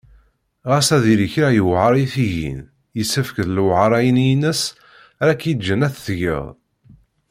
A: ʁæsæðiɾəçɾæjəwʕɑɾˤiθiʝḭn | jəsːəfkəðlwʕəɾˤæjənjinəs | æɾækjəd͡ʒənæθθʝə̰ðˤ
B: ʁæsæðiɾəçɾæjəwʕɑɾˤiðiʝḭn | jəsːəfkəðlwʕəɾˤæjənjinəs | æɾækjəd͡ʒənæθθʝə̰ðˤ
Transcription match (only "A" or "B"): A